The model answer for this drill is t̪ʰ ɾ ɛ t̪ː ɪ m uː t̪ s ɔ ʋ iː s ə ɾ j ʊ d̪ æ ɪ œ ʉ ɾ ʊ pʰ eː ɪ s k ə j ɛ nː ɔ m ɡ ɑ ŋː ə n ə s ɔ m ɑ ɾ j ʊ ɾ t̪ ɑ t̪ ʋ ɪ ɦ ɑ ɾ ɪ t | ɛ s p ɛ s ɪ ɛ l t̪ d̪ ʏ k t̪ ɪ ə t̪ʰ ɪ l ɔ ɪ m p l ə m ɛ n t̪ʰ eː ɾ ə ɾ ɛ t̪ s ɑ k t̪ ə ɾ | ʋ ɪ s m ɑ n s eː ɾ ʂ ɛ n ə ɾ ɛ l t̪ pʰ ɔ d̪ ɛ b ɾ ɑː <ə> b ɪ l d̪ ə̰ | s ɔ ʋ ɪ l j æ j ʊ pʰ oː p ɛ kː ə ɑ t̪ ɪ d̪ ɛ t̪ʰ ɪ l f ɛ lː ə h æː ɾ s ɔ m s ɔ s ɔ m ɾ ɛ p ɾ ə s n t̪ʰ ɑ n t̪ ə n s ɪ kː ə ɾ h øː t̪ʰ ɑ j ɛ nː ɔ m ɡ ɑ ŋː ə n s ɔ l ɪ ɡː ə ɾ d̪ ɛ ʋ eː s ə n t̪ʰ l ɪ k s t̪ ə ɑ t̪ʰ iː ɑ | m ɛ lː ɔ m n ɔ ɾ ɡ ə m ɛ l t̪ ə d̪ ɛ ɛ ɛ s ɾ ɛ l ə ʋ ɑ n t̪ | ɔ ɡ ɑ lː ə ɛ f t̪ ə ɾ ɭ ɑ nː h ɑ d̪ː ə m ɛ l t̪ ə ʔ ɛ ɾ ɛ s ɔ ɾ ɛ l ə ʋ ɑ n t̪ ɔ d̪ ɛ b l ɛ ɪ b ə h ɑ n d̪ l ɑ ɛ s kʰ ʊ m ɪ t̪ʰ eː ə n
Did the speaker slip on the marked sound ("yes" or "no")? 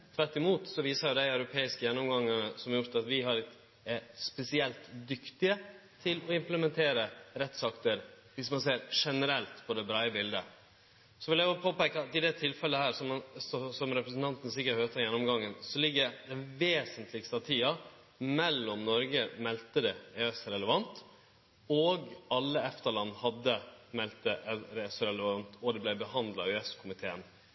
no